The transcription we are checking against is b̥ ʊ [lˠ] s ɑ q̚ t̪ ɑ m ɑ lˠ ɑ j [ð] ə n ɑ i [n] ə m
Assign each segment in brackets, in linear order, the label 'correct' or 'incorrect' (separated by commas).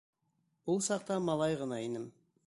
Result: correct, incorrect, correct